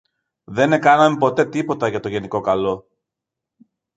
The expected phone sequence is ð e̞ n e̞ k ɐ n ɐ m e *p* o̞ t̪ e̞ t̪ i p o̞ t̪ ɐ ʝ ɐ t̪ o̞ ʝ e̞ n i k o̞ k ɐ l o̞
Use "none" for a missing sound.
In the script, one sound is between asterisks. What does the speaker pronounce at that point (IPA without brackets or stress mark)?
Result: p